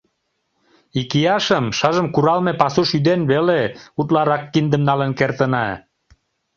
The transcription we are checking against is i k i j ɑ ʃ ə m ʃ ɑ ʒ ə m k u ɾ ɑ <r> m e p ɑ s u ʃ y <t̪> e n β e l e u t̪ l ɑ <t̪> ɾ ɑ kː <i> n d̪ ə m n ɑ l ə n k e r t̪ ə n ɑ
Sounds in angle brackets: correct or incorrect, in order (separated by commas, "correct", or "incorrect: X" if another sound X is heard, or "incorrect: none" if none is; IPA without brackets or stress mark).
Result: incorrect: l, incorrect: d̪, incorrect: none, correct